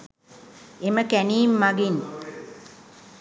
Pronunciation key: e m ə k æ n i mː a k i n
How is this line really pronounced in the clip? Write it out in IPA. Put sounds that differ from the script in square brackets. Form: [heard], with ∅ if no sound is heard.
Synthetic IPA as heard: e m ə k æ n [iː] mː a [ɡ] i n